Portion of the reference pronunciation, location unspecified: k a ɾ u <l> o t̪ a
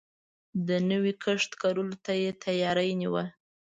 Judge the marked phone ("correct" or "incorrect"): correct